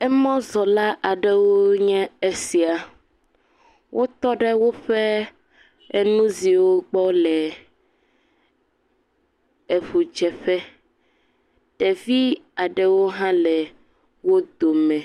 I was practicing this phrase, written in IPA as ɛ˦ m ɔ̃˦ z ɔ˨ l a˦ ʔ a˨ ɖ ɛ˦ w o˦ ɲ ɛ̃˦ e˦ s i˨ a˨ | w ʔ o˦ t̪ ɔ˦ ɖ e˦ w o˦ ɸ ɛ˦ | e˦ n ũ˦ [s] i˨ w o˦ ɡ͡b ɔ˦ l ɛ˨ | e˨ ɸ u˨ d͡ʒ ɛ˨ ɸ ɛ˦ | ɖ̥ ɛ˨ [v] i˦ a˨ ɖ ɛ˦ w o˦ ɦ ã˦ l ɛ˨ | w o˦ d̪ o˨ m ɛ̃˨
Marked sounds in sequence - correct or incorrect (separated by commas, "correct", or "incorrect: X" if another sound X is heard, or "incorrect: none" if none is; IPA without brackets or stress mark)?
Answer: incorrect: z, correct